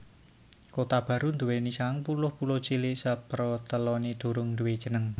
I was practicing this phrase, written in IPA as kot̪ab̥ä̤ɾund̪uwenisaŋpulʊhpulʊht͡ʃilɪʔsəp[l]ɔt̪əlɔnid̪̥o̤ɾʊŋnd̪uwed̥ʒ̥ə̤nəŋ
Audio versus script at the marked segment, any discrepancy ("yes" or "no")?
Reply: yes